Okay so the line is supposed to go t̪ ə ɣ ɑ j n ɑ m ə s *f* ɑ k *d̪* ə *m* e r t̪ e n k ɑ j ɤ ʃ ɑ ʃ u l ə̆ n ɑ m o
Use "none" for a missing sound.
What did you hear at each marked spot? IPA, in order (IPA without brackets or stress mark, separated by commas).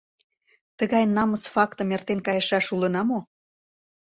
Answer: f, t̪, m